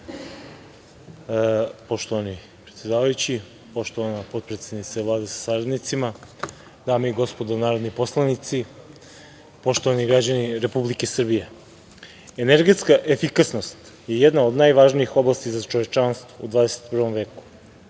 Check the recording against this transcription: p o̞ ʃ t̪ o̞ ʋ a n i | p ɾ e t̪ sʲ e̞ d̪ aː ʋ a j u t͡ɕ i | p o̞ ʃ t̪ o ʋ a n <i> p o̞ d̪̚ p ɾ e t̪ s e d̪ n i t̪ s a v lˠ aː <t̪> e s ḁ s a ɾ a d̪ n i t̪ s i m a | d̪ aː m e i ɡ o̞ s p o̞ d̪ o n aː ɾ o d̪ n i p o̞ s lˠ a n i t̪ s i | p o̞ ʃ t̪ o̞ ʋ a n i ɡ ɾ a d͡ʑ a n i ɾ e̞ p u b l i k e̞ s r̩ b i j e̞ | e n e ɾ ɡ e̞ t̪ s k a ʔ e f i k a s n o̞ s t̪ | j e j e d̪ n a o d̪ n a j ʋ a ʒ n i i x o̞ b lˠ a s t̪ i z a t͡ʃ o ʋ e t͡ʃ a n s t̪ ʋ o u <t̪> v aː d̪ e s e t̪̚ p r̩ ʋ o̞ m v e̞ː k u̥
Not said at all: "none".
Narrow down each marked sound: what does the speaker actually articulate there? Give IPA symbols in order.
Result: a, d̪, d̪

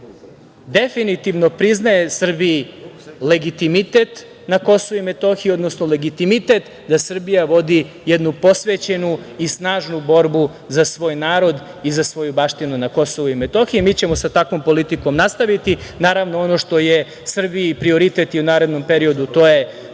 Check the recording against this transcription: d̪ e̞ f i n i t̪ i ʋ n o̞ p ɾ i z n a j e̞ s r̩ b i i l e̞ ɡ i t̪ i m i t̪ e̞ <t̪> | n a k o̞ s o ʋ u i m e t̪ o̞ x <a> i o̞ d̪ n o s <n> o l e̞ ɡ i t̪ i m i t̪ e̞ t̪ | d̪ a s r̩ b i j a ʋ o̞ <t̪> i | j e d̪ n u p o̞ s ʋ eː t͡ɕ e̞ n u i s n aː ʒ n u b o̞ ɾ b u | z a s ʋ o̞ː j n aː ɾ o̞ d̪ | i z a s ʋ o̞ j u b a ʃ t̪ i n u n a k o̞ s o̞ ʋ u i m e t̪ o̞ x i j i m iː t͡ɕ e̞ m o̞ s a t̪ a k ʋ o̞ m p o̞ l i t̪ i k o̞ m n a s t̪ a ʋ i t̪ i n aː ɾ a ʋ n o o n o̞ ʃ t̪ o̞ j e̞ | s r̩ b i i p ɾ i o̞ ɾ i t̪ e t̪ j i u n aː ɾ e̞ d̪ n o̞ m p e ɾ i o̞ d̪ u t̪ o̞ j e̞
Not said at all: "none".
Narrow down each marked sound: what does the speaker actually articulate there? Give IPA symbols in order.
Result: t̪, i, n, d̪

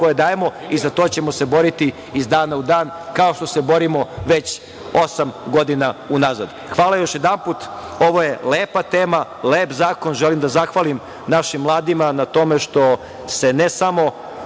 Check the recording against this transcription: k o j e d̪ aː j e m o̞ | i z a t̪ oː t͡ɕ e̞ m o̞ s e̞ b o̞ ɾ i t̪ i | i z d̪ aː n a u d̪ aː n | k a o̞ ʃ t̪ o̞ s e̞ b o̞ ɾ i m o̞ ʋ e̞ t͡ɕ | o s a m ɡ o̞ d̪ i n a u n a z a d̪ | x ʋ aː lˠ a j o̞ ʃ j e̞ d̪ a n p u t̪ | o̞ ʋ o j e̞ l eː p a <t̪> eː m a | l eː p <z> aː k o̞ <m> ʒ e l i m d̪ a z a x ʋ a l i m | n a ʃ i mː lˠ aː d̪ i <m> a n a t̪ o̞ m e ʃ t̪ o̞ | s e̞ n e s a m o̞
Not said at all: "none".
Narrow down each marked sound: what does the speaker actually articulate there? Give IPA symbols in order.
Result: t̪, z, n, m

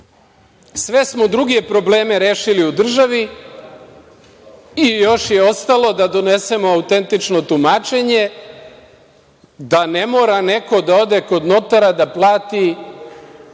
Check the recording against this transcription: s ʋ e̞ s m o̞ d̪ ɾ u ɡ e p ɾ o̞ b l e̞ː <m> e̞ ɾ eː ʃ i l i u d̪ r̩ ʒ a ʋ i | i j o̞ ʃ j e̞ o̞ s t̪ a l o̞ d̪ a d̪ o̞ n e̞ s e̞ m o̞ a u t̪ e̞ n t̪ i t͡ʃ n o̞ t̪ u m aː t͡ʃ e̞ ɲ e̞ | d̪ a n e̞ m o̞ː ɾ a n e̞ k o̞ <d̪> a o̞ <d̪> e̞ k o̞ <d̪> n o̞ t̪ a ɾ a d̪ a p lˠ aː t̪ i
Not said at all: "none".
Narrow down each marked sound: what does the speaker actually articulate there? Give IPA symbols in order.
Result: m, d̪, d̪, d̪

